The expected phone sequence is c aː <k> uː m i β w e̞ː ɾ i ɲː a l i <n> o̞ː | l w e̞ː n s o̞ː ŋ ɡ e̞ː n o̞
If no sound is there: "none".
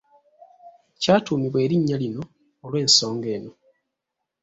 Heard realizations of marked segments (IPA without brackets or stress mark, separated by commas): t, n